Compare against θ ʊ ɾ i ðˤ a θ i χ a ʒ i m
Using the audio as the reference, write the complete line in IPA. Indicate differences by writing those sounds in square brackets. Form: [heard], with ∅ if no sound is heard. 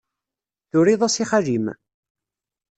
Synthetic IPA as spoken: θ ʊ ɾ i ðˤ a [s] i χ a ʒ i m